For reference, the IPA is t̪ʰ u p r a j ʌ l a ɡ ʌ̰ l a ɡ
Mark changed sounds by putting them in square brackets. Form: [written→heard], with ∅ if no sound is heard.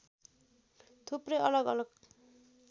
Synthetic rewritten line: t̪ʰ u p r [a→ʌ] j ʌ l [a→ʌ] ɡ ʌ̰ l [a→ʌ] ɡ

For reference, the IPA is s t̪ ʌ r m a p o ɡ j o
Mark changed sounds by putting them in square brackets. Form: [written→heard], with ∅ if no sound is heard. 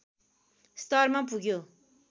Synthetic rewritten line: s t̪ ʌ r m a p [o→u] ɡ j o

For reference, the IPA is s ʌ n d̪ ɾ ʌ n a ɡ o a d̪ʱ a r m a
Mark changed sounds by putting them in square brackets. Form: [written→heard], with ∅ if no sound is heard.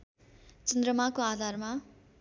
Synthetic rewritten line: [s→t͡s] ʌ n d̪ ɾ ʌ [n→m] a [ɡ→k] o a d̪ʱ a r m a

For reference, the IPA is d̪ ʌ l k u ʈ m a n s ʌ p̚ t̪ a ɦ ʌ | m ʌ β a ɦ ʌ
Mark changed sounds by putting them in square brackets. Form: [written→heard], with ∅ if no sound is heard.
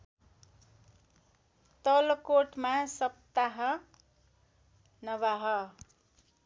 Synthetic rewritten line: [d̪→t̪] ʌ l k [u→o] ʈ m a [n→∅] s ʌ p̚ t̪ a ɦ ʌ | [m→n] ʌ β a ɦ ʌ

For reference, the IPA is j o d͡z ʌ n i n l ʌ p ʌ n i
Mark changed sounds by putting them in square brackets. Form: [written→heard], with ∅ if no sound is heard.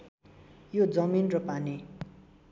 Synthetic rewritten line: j o d͡z ʌ [n→m] i n [l→r] ʌ p [ʌ→a] n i

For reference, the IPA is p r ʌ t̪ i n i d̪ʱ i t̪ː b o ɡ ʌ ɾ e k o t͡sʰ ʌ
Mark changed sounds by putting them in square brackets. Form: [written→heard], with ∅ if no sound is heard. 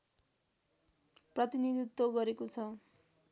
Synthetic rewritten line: p r ʌ t̪ i n i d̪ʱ i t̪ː [b→w] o ɡ ʌ ɾ e k o t͡sʰ ʌ

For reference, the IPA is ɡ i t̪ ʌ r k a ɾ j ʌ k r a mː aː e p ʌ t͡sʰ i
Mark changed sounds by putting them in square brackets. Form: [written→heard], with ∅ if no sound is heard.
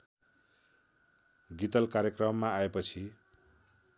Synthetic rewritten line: ɡ i t̪ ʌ [r→l] k a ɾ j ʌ k r [a→ʌ] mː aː e p ʌ t͡sʰ i

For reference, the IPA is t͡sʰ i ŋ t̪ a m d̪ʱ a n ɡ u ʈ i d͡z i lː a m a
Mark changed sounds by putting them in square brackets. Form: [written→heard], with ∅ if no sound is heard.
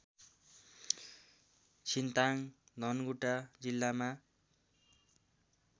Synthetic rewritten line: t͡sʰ i [ŋ→n] t̪ a [m→ŋ] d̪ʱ [a→ʌ] n ɡ u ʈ [i→a] d͡z i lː a m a

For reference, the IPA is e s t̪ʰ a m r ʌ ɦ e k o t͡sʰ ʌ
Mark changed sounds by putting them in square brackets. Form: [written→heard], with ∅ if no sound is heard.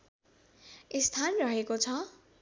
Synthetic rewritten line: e s t̪ʰ a [m→n] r ʌ ɦ e k o t͡sʰ ʌ

